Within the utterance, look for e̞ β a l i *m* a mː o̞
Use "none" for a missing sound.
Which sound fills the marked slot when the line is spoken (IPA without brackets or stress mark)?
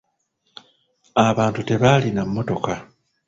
n